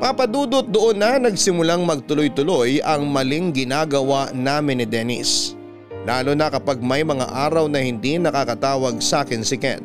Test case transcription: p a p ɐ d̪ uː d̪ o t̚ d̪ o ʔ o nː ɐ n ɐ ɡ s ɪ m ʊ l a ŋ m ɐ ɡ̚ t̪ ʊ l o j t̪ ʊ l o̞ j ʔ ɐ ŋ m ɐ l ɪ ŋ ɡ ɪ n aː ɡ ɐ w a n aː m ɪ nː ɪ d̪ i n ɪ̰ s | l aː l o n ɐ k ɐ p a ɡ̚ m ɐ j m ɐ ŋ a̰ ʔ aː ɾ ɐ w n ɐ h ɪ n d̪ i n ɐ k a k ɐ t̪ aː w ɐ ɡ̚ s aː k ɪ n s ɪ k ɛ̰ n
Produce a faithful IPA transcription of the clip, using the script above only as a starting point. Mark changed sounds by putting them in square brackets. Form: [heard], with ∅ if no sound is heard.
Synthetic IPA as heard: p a p ɐ d̪ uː d̪ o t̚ d̪ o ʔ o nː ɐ n ɐ ɡ s ɪ m ʊ l a ŋ m ɐ ɡ̚ t̪ ʊ l o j t̪ ʊ l o̞ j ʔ ɐ ŋ m ɐ l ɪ ŋ ɡ ɪ n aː ɡ ɐ w a n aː m ɪ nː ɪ d̪ [ɛ] n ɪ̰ s | l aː l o n ɐ k ɐ p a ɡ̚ m ɐ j m ɐ ŋ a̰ ʔ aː ɾ ɐ w n ɐ h ɪ n d̪ i n ɐ k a k ɐ t̪ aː w ɐ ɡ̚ s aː k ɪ n s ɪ k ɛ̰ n